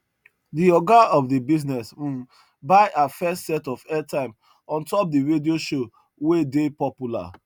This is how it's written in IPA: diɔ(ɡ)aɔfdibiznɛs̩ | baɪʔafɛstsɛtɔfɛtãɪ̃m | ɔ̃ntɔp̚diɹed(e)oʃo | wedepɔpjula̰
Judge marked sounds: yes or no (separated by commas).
yes, no